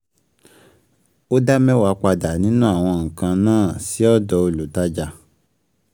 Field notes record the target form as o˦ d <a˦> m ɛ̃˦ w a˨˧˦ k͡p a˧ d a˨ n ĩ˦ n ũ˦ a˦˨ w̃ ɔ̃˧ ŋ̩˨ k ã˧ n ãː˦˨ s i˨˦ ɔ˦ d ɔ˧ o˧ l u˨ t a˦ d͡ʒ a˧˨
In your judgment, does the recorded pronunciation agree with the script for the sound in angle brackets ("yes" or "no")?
yes